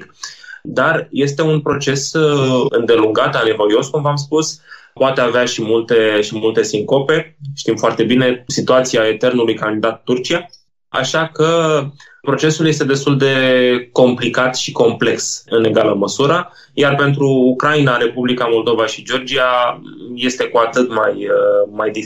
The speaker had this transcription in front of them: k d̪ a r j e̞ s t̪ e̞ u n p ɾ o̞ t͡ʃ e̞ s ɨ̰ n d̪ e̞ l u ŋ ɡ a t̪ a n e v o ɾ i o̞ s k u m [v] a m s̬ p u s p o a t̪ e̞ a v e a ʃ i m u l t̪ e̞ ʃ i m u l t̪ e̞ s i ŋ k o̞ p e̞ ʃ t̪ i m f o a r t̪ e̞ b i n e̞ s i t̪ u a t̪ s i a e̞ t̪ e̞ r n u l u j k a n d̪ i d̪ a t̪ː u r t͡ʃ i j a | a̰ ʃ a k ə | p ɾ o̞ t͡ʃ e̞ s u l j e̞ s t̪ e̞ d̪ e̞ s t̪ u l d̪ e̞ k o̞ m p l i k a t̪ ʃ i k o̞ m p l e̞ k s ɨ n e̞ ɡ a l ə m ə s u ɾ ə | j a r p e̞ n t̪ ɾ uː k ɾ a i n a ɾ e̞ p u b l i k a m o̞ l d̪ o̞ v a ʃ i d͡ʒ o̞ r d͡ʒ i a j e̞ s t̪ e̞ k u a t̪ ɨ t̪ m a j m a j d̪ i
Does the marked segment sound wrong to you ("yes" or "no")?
no